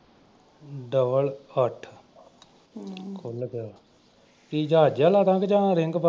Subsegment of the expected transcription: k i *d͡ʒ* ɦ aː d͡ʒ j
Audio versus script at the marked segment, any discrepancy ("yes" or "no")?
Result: no